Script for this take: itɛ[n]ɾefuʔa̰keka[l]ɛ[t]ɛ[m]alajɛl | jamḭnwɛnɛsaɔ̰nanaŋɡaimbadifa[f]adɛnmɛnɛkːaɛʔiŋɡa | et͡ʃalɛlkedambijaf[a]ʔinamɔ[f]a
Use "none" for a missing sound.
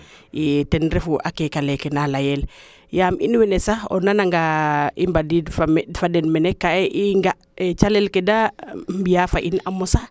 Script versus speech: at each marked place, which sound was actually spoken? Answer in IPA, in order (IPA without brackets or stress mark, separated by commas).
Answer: n, l, k, n, f, a, s